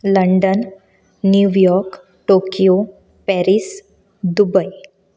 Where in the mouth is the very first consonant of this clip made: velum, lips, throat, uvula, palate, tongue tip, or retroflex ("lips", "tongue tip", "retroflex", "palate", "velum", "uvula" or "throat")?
tongue tip